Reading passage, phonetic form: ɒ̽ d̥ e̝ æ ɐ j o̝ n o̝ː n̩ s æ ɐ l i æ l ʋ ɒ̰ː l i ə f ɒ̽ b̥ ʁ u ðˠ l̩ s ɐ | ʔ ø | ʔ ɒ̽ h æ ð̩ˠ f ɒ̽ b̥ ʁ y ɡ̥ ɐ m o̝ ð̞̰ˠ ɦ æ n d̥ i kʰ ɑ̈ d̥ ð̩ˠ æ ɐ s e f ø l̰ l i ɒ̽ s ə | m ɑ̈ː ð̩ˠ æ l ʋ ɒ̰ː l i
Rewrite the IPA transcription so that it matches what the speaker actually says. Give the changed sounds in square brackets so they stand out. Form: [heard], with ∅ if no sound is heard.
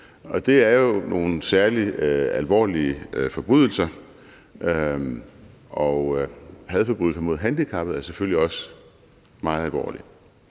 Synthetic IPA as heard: ɒ̽ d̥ e̝ æ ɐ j o̝ n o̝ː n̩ s æ ɐ l i æ l ʋ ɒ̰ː l i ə f ɒ̽ b̥ ʁ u ðˠ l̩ s ɐ | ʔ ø | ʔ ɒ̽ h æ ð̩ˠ f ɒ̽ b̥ ʁ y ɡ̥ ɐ m o̝ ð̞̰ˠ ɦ æ n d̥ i kʰ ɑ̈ [b̥] ð̩ˠ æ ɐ s e f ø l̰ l i ɒ̽ s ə | m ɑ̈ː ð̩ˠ æ l ʋ ɒ̰ː l i